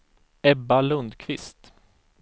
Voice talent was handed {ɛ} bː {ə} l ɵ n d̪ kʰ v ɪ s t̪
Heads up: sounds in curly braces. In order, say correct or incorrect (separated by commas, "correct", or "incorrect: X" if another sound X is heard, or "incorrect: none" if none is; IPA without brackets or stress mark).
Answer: correct, incorrect: a